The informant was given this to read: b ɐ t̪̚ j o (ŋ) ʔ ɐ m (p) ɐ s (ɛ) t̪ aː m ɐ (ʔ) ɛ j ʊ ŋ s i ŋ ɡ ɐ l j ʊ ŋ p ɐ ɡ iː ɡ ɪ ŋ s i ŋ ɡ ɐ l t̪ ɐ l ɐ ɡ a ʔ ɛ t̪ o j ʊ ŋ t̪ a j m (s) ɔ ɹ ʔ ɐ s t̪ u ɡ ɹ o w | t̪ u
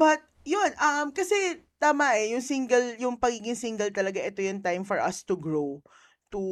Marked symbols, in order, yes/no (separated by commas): no, no, yes, yes, no